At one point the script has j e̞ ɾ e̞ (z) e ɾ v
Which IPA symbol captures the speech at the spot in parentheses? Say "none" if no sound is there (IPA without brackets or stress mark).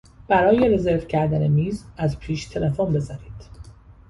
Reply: z